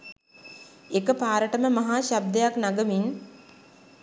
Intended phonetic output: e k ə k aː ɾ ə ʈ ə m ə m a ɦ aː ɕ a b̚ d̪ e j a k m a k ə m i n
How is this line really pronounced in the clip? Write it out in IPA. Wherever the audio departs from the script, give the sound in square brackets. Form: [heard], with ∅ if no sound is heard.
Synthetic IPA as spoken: e k ə [p] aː ɾ ə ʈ ə m ə m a ɦ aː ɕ a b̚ d̪ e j a k [n] a [ɡ] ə m i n